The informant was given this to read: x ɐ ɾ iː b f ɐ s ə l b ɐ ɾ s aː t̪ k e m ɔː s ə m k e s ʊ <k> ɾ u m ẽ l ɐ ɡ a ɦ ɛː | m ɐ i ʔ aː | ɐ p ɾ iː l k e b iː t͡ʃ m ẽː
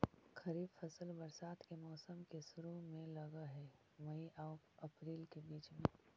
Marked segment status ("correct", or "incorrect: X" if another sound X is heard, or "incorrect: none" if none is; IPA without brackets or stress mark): incorrect: none